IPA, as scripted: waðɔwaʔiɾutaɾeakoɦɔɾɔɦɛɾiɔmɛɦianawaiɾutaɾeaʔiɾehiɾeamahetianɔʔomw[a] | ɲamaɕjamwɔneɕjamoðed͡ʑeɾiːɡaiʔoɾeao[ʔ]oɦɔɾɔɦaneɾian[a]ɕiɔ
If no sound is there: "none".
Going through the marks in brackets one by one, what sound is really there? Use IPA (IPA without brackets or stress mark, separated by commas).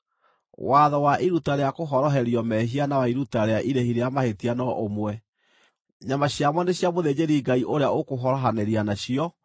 ɛ, k, a